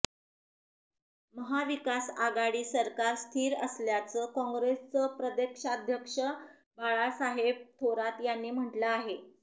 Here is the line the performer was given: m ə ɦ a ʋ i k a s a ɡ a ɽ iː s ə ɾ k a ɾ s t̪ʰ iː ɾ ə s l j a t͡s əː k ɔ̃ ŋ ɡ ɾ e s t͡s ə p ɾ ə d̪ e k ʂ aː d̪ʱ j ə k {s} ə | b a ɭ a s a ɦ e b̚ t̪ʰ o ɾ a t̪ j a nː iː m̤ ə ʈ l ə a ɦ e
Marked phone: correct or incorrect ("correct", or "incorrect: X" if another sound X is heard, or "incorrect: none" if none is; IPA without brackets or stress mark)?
incorrect: ʂ